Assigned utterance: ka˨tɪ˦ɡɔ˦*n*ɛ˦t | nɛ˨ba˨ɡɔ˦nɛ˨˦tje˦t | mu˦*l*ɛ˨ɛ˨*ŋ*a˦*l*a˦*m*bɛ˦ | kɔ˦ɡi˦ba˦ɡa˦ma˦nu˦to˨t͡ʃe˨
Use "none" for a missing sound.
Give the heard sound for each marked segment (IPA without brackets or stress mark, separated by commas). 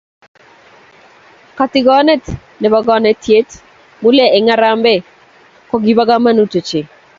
n, l, ŋ, ɾ, m